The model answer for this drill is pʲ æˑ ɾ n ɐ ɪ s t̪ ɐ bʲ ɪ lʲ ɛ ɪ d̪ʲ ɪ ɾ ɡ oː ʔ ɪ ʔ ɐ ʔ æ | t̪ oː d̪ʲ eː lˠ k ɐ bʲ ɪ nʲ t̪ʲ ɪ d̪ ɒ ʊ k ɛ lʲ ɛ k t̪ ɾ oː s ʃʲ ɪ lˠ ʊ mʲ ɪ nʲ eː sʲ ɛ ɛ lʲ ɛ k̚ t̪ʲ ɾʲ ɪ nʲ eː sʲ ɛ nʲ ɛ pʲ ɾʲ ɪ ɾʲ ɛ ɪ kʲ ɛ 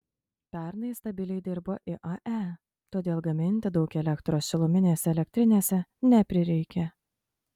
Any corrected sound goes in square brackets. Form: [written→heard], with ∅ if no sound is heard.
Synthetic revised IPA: pʲ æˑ ɾ n ɐ ɪ s t̪ ɐ bʲ ɪ lʲ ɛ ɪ d̪ʲ ɪ ɾ [ɡ→b] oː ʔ ɪ ʔ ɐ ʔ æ | t̪ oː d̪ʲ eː lˠ [k→ɡ] ɐ [bʲ→mʲ] ɪ nʲ t̪ʲ ɪ d̪ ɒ ʊ k ɛ lʲ ɛ k t̪ ɾ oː s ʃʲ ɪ lˠ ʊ mʲ ɪ nʲ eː sʲ ɛ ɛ lʲ ɛ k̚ t̪ʲ ɾʲ ɪ nʲ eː sʲ ɛ nʲ ɛ pʲ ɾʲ ɪ ɾʲ ɛ ɪ kʲ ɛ